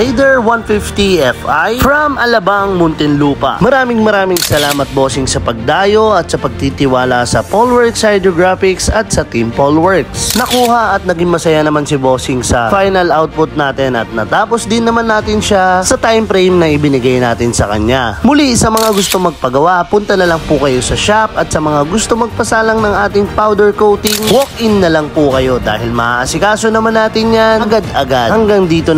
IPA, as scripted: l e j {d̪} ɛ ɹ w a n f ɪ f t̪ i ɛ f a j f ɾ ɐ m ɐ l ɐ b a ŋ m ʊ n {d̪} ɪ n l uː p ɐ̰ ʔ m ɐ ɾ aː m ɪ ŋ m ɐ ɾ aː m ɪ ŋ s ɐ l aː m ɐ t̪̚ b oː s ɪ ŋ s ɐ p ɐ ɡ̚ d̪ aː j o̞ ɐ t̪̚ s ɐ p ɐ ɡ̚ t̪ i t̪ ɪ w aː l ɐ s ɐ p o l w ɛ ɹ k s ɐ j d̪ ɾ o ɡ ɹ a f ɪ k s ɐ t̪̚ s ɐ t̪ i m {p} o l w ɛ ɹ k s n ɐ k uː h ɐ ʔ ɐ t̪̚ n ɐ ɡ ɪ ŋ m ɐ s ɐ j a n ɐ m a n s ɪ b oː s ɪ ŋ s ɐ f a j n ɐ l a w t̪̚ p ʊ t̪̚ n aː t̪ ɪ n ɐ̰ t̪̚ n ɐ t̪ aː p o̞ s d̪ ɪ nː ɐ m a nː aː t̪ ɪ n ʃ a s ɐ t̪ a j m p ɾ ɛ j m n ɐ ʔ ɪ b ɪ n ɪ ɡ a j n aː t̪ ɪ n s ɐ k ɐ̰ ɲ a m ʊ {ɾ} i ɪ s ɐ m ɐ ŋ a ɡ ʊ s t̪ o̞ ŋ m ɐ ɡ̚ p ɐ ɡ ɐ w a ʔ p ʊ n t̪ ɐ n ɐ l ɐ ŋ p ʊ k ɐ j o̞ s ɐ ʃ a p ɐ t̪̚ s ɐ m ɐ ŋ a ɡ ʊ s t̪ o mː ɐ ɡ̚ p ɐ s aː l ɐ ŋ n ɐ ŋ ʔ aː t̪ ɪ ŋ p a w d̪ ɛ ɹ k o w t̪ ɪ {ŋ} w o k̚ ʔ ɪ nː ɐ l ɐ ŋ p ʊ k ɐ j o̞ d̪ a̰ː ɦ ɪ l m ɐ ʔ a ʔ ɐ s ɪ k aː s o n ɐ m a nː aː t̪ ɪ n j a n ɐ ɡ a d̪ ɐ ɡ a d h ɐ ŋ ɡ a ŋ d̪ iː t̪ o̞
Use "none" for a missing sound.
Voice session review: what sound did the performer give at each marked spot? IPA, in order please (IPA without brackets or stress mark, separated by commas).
d̪, t̪, p, l, ŋ